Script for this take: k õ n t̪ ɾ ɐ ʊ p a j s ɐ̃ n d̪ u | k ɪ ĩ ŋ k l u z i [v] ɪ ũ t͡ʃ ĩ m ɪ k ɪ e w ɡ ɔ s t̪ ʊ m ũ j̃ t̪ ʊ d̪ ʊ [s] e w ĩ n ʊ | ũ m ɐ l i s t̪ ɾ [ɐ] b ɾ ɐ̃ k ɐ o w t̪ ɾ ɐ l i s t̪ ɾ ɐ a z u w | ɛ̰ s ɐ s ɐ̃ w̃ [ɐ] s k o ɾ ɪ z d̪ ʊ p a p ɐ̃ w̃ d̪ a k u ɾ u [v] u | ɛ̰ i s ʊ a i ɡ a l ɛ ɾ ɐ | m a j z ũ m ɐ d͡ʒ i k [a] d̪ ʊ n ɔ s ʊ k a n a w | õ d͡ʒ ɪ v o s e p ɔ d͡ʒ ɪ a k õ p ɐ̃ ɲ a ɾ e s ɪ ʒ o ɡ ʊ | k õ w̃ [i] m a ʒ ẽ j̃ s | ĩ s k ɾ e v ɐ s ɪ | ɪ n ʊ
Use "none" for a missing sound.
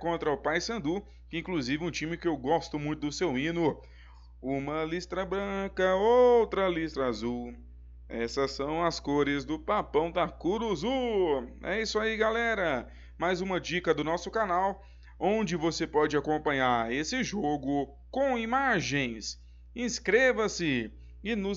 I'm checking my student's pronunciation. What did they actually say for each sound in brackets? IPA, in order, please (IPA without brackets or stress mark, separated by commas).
v, s, ɐ, ɐ, z, ɐ, i